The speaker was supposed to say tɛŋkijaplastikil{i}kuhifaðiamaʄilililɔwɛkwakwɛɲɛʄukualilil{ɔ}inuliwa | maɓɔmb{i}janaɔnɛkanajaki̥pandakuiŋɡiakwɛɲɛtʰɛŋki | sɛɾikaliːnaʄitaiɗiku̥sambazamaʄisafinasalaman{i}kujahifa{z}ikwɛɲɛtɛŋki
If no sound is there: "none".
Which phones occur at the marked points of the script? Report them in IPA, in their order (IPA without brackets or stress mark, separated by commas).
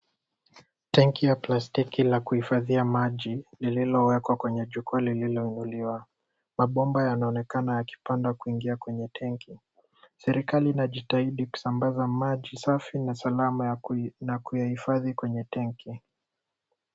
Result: a, ɔ, a, a, ð